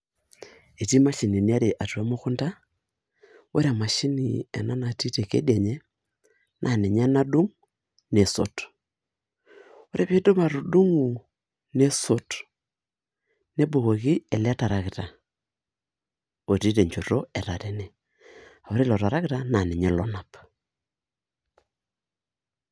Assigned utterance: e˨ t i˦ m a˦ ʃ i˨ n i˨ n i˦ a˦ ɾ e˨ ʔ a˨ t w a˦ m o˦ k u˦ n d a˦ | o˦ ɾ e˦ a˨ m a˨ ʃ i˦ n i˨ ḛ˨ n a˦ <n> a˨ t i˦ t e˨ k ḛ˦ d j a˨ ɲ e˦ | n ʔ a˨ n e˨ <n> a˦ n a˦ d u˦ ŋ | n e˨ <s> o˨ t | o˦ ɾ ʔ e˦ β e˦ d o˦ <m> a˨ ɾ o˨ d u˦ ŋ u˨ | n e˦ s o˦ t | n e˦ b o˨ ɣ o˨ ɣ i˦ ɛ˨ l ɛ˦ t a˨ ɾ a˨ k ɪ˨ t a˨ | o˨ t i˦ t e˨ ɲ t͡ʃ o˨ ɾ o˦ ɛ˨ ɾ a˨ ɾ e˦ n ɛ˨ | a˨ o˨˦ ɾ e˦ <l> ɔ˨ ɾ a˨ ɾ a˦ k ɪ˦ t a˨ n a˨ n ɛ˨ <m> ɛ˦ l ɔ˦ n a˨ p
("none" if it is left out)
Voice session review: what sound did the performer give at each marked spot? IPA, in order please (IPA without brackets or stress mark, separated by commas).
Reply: n, ɲ, s, m, l, ɲ